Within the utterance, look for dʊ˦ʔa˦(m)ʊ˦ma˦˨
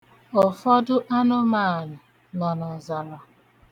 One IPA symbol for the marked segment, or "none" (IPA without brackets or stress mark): n